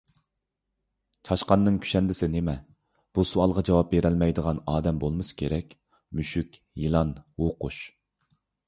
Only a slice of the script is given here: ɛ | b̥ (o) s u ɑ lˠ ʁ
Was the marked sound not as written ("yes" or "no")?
yes